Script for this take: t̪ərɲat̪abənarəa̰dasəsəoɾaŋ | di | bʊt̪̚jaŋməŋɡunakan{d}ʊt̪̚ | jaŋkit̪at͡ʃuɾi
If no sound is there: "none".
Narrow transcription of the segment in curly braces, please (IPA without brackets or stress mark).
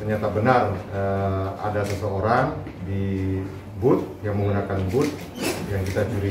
b